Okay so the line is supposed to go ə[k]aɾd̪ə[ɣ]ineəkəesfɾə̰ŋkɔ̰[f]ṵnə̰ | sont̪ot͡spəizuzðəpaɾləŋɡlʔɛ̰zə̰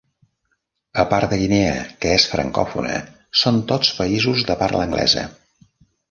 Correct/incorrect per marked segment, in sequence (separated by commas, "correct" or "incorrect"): incorrect, correct, correct